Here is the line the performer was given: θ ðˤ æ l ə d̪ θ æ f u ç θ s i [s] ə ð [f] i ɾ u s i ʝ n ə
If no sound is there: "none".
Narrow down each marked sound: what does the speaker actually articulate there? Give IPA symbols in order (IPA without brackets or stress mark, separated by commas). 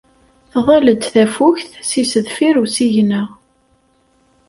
s, f